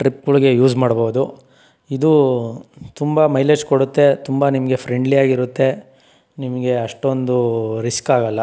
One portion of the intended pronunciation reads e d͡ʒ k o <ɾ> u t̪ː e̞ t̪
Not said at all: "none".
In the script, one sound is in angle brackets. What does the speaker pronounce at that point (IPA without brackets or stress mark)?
ɽ